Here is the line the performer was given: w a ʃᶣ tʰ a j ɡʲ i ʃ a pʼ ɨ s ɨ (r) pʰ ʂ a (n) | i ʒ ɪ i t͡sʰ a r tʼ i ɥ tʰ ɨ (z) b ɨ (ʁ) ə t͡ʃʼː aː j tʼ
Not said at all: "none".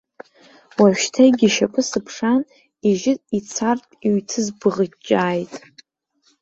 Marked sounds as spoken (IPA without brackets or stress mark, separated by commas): none, n, z, ʁ